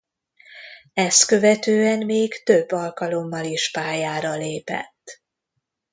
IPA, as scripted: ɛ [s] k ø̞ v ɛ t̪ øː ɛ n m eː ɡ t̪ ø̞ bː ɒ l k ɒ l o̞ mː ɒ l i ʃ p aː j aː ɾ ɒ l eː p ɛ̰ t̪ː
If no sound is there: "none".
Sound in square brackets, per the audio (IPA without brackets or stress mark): s